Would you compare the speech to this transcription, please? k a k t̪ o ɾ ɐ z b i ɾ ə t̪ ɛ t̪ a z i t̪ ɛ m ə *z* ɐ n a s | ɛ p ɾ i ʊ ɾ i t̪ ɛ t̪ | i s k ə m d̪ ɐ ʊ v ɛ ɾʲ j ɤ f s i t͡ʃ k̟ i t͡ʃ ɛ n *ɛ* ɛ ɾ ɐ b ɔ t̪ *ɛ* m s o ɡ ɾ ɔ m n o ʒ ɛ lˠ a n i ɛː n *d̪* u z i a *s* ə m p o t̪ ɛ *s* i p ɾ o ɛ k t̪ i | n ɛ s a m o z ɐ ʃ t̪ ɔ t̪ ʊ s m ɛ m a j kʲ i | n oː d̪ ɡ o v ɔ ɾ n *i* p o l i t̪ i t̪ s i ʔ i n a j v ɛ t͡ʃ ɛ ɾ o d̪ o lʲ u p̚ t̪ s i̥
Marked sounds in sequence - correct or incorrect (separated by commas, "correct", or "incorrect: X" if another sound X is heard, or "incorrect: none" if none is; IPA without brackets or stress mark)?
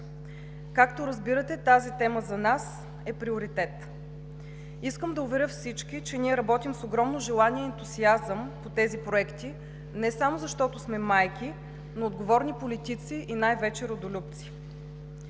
correct, incorrect: i, incorrect: i, incorrect: t̪, incorrect: z, incorrect: z, correct